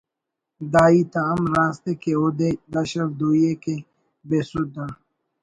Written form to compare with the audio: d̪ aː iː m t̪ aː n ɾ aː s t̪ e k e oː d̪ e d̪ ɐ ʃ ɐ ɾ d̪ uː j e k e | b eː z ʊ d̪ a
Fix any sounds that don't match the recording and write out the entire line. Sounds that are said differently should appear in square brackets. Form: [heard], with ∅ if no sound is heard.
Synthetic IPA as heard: d̪ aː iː [∅] t̪ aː [m] ɾ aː s t̪ e k e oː d̪ e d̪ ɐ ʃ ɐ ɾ d̪ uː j e k e | b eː [s] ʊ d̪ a